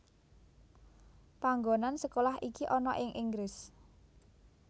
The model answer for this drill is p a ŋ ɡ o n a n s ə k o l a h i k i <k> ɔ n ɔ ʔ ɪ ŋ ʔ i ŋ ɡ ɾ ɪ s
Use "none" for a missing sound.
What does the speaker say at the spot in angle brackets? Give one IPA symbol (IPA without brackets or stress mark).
ʔ